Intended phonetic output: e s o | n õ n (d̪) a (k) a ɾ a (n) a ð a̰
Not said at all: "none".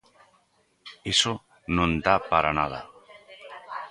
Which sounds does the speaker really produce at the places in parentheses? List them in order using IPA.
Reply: d̪, p, n

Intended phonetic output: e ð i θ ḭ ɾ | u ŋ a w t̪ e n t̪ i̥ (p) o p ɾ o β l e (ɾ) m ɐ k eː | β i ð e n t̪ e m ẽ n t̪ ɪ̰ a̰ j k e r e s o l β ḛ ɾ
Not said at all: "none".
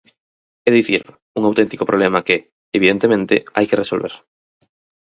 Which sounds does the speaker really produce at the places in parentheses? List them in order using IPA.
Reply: k, none

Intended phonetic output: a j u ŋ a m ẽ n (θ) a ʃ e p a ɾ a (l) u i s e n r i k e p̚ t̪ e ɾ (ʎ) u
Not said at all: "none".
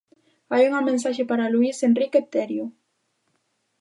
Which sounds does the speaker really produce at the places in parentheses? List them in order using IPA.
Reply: s, l, j

